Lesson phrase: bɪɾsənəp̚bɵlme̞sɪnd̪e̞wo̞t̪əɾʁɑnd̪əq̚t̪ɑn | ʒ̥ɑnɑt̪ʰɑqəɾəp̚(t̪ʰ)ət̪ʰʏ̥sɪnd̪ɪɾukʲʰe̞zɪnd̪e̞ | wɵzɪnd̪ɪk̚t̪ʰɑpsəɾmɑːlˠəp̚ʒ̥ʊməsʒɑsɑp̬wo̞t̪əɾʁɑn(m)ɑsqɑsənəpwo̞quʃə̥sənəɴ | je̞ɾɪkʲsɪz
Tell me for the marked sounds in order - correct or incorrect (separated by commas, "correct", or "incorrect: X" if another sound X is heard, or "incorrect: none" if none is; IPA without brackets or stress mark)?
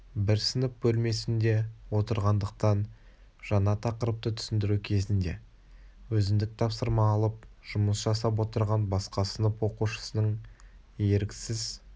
incorrect: t̪, incorrect: b